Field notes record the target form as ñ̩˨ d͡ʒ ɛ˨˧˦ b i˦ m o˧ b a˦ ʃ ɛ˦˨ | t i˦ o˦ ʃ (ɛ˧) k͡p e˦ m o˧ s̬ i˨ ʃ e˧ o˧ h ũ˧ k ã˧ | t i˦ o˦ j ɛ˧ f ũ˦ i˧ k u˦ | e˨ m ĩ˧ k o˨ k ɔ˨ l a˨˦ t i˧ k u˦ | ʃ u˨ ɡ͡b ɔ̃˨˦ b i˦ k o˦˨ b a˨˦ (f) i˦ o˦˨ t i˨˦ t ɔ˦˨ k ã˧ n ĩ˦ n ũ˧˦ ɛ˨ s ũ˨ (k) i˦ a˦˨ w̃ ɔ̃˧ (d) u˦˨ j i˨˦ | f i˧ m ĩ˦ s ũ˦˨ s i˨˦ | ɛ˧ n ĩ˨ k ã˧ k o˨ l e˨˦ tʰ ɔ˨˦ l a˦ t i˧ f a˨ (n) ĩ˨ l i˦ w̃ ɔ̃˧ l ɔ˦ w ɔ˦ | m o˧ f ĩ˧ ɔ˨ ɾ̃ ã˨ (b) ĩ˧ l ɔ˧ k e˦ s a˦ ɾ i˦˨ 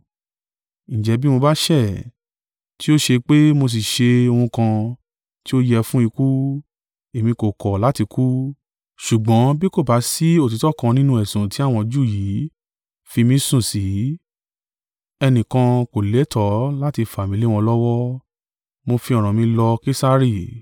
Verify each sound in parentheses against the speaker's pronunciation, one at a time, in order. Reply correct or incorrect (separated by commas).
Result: incorrect, incorrect, incorrect, incorrect, incorrect, incorrect